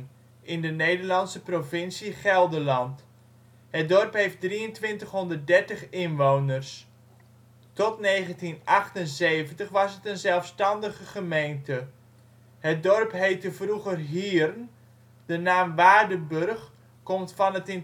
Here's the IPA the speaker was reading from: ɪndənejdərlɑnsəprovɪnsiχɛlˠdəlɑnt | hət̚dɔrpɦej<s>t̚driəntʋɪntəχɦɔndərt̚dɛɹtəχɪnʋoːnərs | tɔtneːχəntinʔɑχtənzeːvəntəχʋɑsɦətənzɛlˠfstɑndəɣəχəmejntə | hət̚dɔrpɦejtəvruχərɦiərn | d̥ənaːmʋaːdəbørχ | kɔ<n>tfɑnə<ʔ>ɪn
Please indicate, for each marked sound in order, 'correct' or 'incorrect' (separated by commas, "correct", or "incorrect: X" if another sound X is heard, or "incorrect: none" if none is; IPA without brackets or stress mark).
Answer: incorrect: f, incorrect: m, incorrect: t